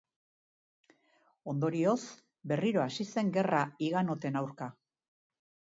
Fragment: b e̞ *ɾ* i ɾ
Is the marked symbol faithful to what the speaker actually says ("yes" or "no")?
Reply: no